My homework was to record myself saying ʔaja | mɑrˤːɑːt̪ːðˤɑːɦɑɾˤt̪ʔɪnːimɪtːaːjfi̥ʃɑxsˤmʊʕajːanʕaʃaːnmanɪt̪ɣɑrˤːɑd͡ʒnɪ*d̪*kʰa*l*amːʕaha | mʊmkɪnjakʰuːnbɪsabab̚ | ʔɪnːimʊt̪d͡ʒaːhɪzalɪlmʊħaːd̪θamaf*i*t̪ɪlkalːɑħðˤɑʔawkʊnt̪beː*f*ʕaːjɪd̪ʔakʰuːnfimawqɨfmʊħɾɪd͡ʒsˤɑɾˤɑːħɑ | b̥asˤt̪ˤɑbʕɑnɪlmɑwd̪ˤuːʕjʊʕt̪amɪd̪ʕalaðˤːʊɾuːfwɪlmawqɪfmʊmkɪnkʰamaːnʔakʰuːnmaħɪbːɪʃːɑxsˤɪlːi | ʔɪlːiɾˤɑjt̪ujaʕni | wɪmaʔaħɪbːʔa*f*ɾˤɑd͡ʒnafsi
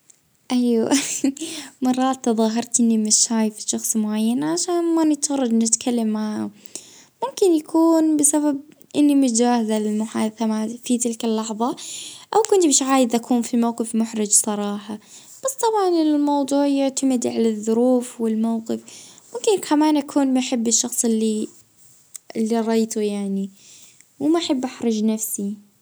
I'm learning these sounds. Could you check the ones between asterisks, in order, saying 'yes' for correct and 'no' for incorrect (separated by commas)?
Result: no, no, yes, no, no